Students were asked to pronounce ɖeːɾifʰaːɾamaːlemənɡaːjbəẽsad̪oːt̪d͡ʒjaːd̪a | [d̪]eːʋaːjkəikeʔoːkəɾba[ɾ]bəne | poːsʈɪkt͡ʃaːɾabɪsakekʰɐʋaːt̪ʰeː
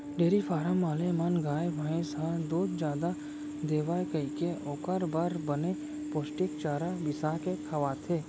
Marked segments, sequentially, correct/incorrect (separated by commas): correct, correct